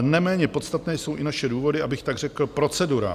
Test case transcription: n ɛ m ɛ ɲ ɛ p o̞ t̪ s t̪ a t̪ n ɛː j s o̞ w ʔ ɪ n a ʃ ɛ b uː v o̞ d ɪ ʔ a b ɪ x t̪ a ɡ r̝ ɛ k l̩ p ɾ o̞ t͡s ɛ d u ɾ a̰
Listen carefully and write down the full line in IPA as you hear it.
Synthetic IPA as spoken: n ɛ m ɛː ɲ ɛ p o̞ t̪ s t̪ a t̪ n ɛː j s o̞ w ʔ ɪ n a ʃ ɛ d uː v o̞ d ɪ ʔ a b ɪ x t̪ a ɡ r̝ ɛ k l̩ p ɾ o̞ t͡s ɛ d u ɾ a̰

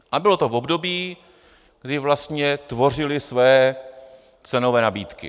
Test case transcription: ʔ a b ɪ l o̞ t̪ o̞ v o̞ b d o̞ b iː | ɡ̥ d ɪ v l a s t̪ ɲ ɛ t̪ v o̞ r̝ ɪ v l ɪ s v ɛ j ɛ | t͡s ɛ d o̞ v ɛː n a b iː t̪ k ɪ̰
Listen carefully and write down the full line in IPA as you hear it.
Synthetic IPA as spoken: ʔ a b ɪ l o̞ t̪ o̞ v o̞ b d o̞ b iː | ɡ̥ d ɪ v l a s t̪ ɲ ɛ t̪ v o̞ r̝ ɪ l ɪ s v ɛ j ɛ | t͡s ɛ n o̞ v ɛː n a b iː t̪ k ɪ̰

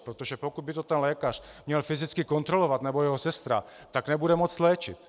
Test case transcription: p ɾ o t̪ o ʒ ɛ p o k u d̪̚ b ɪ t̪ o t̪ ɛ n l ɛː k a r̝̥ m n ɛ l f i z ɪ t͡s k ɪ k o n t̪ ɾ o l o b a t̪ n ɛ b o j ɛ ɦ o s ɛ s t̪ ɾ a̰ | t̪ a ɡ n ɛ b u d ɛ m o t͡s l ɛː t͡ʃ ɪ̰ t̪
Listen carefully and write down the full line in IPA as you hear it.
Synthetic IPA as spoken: p ɾ o t̪ o ʒ ɛ p o k u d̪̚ b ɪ t̪ o t̪ ɛ n l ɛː k a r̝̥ m ɲ ɛ l f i z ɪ t͡s k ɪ k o n t̪ ɾ o l o v a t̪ n ɛ b o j ɛ ɦ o s ɛ s t̪ ɾ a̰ | t̪ a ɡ n ɛ b u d ɛ m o t͡s l ɛː t͡ʃ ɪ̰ t̪

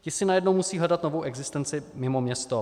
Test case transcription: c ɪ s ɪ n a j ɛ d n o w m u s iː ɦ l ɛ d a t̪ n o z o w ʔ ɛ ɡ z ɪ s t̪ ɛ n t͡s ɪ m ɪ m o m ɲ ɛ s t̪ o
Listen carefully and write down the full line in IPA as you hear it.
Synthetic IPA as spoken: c ɪ s ɪ n a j ɛ d n o w m u s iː ɦ l ɛ d a t̪ n o v o w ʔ ɛ ɡ z ɪ s t̪ ɛ n t͡s ɪ m ɪ m o m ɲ ɛ s t̪ o

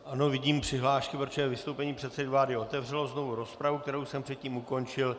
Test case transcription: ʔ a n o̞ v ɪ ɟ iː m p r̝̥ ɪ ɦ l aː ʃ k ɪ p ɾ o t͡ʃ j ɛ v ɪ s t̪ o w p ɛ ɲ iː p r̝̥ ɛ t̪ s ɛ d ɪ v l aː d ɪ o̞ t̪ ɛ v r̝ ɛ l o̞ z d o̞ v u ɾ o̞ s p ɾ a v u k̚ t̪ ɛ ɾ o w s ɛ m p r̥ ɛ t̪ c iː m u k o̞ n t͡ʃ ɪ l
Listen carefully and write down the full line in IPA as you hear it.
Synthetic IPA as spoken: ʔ a n o̞ v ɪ ɟ iː m p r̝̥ ɪ ɦ l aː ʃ k ɪ p ɾ o t͡ʃ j ɛ v ɪ s t̪ o w p ɛ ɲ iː p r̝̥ ɛ t̪ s ɛ d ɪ v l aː d ɪ o̞ t̪ ɛ v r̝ ɛ l o̞ z n o̞ v u ɾ o̞ s p ɾ a v u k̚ t̪ ɛ ɾ o w s ɛ m p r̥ ɛ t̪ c iː m u k o̞ n t͡ʃ ɪ l

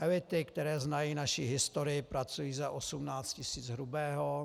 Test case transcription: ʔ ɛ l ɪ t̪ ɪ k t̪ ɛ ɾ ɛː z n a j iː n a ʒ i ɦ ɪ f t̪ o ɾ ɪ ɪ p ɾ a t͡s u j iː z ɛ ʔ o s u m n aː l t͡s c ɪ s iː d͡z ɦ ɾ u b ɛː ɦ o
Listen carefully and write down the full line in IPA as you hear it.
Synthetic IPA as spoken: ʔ ɛ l ɪ t̪ ɪ k t̪ ɛ ɾ ɛː z n a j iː n a ʃ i ɦ ɪ s t̪ o ɾ ɪ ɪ p ɾ a t͡s u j iː z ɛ ʔ o s u m n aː t͡s c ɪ s iː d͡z ɦ ɾ u b ɛː ɦ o

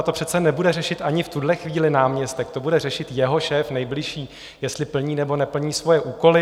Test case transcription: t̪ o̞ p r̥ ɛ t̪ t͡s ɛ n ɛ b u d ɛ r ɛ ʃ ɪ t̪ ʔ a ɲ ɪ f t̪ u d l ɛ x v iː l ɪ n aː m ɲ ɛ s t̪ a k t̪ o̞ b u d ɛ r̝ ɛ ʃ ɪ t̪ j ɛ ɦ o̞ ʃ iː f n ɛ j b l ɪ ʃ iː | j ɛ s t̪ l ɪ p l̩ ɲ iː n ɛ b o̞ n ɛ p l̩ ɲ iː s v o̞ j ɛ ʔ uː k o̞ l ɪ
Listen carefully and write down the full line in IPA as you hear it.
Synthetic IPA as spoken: t̪ o̞ p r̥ ɛ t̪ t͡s ɛ n ɛ b u d ɛ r ɛ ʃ ɪ t̪ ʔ a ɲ ɪ f t̪ u d l ɛ x v iː l ɪ n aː m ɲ ɛ s t̪ ɛ k t̪ o̞ b u d ɛ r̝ ɛ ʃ ɪ t̪ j ɛ ɦ o̞ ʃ ɛː f n ɛ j b l ɪ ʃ iː | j ɛ s t̪ l ɪ p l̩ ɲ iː n ɛ b o̞ n ɛ p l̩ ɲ iː s v o̞ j ɛ ʔ uː k o̞ l ɪ

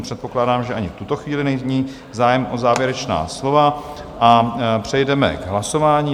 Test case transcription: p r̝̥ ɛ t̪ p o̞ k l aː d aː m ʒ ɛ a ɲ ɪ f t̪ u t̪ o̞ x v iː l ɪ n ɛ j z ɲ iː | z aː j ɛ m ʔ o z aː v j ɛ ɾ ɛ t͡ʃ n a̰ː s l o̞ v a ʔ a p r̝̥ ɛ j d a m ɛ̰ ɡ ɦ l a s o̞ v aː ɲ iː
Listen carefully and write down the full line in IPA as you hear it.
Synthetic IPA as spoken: p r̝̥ ɛ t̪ p o̞ k l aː d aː m ʒ ɛ a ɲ ɪ f t̪ u t̪ o̞ x v iː l ɪ n ɛ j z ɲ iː | z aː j ɛ m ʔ o z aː v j ɛ ɾ ɛ t͡ʃ n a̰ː s l o̞ v a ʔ a p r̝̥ ɛ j d ɛ m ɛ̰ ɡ ɦ l a s o̞ v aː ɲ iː

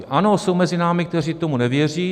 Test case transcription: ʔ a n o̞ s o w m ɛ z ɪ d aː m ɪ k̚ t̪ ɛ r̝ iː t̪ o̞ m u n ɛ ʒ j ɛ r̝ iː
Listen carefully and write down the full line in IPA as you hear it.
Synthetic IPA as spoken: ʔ a n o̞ s o w m ɛ z ɪ n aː m ɪ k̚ t̪ ɛ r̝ iː t̪ o̞ m u n ɛ v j ɛ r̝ iː

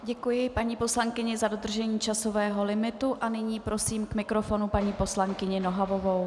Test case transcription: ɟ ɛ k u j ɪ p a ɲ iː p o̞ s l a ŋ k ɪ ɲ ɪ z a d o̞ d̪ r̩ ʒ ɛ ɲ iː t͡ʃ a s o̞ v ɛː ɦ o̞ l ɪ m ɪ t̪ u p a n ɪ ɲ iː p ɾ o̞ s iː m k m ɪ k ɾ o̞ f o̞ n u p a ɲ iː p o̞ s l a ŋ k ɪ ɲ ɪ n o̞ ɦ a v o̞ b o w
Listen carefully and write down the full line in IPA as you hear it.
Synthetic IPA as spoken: ɟ ɛ k u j ɪ p a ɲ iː p o̞ s l a ŋ k ɪ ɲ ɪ z a d o̞ d̪ r̩ ʒ ɛ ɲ iː t͡ʃ a s o̞ v ɛː ɦ o̞ l ɪ m ɪ t̪ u ʔ a n ɪ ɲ iː p ɾ o̞ s iː m k m ɪ k ɾ o̞ f o̞ n u p a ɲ iː p o̞ s l a ŋ k ɪ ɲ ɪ n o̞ ɦ a v o̞ v o w

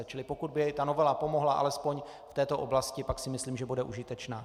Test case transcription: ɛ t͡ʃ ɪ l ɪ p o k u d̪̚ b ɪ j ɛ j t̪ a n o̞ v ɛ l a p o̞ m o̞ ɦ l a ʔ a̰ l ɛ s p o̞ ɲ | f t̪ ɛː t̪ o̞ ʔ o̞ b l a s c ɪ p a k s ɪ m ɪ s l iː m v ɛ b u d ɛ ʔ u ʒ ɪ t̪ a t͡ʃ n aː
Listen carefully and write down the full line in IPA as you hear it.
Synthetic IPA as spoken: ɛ t͡ʃ ɪ l ɪ p o k u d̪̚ b ɪ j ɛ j t̪ a n o̞ v ɛ l a p o̞ m o̞ ɦ l a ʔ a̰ l ɛ s p o̞ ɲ | f t̪ ɛː t̪ o̞ ʔ o̞ b l a s c ɪ p a k s ɪ m ɪ s l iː m ʒ ɛ b u d ɛ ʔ u ʒ ɪ t̪ ɛ t͡ʃ n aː

